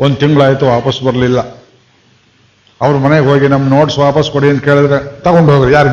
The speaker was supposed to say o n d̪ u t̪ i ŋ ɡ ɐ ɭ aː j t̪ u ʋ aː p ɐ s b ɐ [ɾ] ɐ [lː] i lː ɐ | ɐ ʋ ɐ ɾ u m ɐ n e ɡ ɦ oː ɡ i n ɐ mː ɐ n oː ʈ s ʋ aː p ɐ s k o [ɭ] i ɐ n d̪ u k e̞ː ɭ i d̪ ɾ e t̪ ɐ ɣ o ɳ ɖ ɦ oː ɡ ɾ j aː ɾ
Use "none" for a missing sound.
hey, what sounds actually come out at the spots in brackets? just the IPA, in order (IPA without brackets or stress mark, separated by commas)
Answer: ɾ, l, ɽ